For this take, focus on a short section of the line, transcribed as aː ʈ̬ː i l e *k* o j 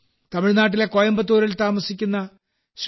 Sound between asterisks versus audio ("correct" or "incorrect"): correct